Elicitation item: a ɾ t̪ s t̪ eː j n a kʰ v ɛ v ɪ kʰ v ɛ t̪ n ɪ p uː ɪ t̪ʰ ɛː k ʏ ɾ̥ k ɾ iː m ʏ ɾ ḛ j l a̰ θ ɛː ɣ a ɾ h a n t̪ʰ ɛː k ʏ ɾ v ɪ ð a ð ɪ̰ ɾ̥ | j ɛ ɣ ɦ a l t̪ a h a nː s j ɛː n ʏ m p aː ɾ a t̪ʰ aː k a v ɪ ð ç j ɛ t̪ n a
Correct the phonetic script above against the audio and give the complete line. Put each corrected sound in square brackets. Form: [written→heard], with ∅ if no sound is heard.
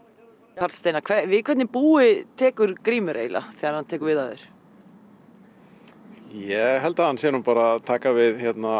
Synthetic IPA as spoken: a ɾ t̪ s t̪ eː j n a kʰ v ɛ v ɪ kʰ v ɛ t̪ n ɪ p uː ɪ t̪ʰ ɛː k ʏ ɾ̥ k ɾ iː m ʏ ɾ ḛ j l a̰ θ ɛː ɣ a ɾ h a n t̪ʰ ɛː k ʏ ɾ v ɪ ð a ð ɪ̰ ɾ̥ | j ɛ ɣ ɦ [a→ɛ] l t̪ a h a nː s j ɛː n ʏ m p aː ɾ a t̪ʰ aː k a v ɪ ð ç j ɛ t̪ n a